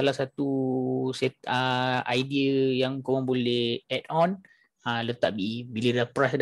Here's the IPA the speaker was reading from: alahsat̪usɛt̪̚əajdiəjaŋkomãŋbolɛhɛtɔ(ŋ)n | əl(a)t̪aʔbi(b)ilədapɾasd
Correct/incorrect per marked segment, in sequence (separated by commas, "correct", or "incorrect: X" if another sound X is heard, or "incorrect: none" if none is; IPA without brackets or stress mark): incorrect: none, incorrect: ə, correct